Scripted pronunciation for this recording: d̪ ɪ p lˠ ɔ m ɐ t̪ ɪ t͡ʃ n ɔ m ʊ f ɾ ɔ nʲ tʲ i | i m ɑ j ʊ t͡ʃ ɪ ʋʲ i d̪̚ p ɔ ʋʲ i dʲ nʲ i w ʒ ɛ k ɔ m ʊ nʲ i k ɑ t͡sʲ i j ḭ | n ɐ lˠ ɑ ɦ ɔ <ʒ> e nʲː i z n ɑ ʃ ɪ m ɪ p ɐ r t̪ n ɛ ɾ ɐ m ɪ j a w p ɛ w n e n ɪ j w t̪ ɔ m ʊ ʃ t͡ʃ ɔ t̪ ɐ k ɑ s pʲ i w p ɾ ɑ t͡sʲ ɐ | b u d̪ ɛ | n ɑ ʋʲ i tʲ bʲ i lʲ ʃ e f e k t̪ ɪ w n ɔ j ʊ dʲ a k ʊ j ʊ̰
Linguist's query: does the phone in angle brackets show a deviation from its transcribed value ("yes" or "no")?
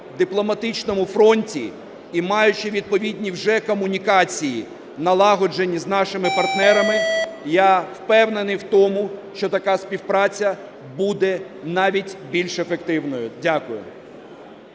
yes